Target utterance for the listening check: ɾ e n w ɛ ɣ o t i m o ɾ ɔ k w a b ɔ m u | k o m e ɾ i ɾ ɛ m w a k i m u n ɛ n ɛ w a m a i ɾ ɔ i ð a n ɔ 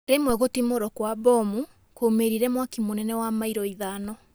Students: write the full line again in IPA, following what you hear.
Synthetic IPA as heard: ɾ e m w ɛ ɣ o t i m o ɾ ɔ k w a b ɔ m u | k o m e ɾ i ɾ ɛ m w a k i m o n ɛ n ɛ w a m a i ɾ ɔ i ð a n ɔ